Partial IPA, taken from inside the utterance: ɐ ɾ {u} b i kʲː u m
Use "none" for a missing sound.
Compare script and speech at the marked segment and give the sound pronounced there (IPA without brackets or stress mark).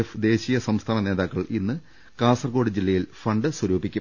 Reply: uː